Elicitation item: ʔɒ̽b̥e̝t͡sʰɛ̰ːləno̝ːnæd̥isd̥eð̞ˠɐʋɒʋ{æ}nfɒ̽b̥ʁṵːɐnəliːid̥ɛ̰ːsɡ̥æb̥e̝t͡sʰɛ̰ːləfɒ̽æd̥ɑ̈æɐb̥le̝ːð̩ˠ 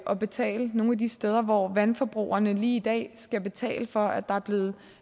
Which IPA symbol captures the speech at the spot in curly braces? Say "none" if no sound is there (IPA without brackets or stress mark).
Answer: æ